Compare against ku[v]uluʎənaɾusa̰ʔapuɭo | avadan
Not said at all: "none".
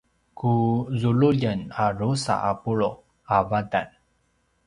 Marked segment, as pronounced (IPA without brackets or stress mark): z